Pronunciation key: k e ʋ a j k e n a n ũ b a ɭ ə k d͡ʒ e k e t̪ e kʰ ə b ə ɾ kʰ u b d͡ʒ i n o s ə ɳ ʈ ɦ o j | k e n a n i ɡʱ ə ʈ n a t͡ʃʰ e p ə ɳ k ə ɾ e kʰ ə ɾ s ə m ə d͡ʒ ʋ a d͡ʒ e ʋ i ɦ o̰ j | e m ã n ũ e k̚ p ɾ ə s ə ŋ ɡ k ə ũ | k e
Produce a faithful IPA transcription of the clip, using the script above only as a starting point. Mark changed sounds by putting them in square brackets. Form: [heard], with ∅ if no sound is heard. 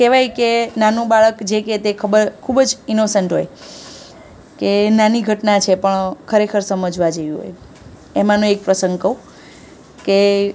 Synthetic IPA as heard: k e ʋ a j k e n a n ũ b a ɭ ə k d͡ʒ e k e t̪ e kʰ ə b ə ɾ kʰ u b d͡ʒ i n o s ə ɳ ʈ ɦ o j | k e n a n i ɡʱ ə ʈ n a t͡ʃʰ e p ə ɳ [kʰ] ə ɾ e kʰ ə ɾ s ə m ə d͡ʒ ʋ a d͡ʒ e ʋ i ɦ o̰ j | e m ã n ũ e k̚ p ɾ ə s ə ŋ ɡ k ə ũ | k e